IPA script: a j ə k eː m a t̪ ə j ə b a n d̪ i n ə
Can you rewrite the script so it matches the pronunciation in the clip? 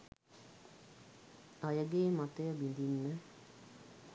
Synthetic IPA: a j ə ɡ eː m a t̪ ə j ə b i n d̪ i nː ə